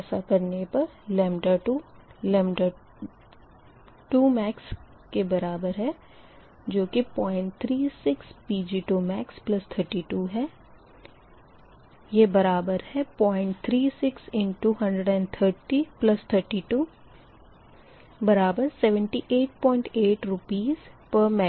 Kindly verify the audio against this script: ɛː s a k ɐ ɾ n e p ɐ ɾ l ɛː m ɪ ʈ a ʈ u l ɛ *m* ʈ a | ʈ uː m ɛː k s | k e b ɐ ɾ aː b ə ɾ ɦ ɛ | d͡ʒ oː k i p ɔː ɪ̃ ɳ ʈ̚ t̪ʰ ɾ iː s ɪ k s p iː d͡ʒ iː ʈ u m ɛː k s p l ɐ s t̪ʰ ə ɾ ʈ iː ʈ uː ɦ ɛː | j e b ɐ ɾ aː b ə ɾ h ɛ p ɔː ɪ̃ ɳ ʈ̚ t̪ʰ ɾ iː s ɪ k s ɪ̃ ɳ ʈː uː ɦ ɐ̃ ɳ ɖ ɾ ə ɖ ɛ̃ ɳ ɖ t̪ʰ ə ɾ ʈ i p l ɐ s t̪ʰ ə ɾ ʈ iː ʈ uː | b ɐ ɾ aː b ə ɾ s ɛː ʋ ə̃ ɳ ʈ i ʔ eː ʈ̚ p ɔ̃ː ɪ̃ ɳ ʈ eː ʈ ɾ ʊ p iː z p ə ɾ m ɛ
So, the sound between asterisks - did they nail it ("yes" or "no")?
yes